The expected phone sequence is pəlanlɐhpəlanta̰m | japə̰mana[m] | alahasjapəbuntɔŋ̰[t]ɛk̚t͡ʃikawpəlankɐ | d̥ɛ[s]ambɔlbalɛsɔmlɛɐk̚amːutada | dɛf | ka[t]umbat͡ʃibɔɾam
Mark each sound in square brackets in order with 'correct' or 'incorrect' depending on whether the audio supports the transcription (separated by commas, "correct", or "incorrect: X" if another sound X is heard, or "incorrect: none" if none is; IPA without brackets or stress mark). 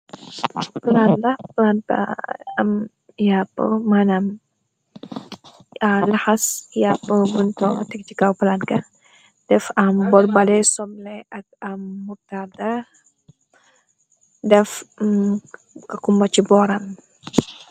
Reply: correct, correct, incorrect: f, incorrect: k